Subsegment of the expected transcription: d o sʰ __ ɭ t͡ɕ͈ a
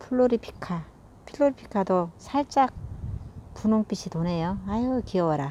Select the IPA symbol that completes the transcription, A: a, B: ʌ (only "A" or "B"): A